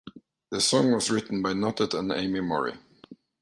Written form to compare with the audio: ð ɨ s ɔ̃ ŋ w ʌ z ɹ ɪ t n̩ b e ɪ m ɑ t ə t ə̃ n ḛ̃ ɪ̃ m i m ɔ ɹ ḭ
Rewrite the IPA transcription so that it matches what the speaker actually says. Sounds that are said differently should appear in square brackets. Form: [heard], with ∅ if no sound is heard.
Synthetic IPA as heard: ð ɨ s ɔ̃ ŋ w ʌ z ɹ ɪ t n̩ b [a] ɪ [n] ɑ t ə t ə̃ n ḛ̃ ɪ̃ m i m ɔ ɹ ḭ